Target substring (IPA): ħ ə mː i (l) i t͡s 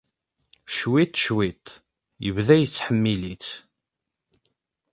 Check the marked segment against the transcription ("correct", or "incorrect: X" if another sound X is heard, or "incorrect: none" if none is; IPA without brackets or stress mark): correct